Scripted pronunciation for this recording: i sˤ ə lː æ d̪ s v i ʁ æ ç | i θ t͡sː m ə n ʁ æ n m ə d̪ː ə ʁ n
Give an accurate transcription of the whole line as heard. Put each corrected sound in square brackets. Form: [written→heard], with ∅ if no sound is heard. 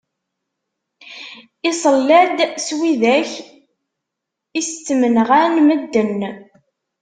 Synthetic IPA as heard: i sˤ ə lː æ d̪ s [v→w] i [ʁ→ð] æ ç | i [θ→s] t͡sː m ə n ʁ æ n m ə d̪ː ə [ʁ→∅] n